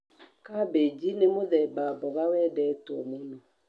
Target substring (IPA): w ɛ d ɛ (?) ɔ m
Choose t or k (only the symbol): t